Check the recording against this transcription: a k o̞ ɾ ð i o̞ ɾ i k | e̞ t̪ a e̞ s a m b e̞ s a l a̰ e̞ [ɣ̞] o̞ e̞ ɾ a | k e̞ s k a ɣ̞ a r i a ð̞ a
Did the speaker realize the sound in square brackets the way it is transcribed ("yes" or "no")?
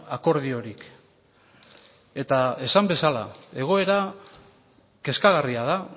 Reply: yes